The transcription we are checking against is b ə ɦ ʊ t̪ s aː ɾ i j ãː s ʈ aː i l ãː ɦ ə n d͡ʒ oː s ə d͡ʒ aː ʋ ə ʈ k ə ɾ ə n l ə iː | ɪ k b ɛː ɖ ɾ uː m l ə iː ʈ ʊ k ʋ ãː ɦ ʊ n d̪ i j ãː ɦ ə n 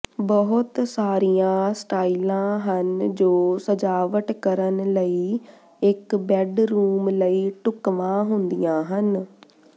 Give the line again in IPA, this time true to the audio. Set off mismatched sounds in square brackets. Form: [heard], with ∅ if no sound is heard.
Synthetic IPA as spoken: b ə ɦ ʊ t̪ s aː ɾ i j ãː s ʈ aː i l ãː ɦ ə n d͡ʒ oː s ə d͡ʒ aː ʋ ə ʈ k ə ɾ ə n l ə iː | ɪ k b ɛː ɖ ɾ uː m l ə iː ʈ ʊ k ʋ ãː ɦ ʊ n d̪ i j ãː ɦ ə n